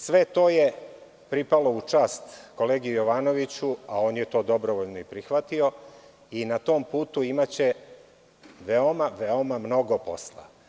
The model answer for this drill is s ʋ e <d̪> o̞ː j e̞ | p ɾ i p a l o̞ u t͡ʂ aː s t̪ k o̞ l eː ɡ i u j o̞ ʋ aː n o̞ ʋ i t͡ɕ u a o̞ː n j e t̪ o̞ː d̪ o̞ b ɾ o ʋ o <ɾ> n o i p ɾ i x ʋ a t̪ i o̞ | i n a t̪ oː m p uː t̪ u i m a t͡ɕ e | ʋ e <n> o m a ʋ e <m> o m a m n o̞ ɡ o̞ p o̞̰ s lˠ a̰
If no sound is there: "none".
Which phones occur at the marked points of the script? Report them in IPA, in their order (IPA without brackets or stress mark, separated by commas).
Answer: t̪, ʎ, none, none